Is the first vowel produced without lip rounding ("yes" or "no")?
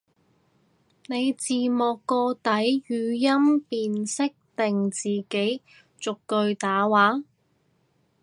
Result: yes